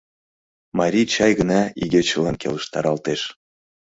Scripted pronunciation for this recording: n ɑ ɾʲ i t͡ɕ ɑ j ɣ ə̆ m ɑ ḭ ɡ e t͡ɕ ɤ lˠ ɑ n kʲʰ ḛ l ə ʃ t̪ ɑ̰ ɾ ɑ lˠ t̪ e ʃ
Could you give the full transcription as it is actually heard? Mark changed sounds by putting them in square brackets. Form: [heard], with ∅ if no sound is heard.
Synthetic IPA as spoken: [m] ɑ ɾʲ i t͡ɕ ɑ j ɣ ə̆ [n] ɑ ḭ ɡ e t͡ɕ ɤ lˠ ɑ n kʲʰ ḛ l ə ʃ t̪ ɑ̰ ɾ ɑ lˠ t̪ e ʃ